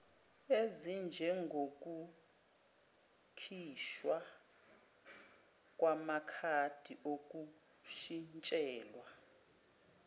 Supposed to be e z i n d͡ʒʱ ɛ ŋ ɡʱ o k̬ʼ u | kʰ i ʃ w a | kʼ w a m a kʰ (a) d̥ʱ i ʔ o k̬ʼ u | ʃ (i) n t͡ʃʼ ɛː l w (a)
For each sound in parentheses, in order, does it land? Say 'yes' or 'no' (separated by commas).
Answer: yes, yes, yes